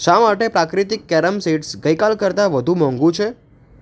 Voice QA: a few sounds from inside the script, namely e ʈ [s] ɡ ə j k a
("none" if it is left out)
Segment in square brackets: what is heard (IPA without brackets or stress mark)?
s